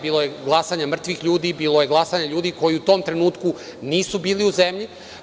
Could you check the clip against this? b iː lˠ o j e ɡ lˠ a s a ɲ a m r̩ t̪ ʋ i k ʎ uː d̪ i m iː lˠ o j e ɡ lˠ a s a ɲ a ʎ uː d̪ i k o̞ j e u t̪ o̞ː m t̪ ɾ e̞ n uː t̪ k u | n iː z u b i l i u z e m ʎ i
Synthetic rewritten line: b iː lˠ o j e ɡ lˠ a s a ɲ a m r̩ t̪ ʋ i x ʎ uː d̪ i b iː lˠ o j e ɡ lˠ a s a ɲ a ʎ uː d̪ i k o̞ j i u t̪ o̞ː m t̪ ɾ e̞ n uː t̪ k u | n iː s u b iː l i u z e m ʎ i